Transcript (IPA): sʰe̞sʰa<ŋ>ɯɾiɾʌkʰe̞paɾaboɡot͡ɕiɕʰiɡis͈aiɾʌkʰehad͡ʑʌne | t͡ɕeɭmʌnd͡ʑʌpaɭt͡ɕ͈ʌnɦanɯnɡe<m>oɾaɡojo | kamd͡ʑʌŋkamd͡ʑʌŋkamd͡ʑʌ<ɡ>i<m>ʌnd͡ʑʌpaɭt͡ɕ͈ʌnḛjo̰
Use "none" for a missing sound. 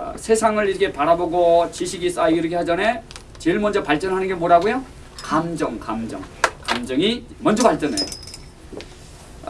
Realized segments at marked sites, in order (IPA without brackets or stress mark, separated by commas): ŋ, m, ŋ, m